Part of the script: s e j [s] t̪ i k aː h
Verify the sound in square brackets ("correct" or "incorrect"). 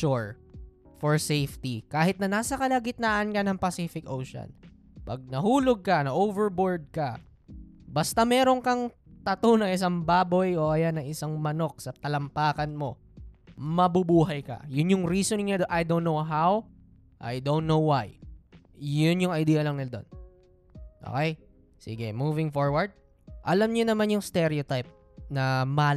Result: incorrect